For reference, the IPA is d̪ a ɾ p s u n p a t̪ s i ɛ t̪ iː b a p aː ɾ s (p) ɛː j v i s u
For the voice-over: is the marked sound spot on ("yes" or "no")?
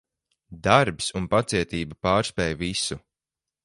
yes